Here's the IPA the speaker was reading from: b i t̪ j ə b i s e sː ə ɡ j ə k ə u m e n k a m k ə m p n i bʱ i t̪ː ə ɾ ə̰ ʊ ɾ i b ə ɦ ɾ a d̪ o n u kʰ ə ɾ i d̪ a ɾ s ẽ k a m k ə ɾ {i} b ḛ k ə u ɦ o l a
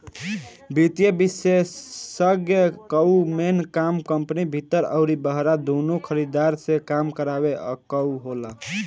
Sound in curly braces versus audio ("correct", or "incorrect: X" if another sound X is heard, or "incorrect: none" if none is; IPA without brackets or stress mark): incorrect: a